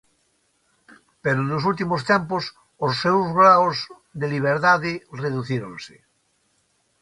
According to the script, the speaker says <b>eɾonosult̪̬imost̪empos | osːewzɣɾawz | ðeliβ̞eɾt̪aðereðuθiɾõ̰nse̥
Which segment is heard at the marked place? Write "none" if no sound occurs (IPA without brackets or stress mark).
p